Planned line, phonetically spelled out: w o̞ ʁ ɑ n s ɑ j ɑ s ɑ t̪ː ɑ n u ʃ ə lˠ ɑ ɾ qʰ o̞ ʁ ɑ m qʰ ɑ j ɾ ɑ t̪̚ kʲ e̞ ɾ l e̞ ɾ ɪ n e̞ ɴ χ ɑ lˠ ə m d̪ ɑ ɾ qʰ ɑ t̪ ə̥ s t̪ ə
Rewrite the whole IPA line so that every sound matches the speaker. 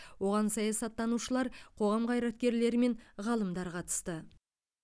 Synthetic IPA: w o̞ ʁ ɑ n s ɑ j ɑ s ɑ t̪ː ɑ n u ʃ ə lˠ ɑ ɾ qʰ o̞ ʁ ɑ m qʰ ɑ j ɾ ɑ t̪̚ kʲ e̞ ɾ l e̞ ɾ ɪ m e̞ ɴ ʁ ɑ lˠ ə m d̪ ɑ ɾ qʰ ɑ t̪ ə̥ s t̪ ə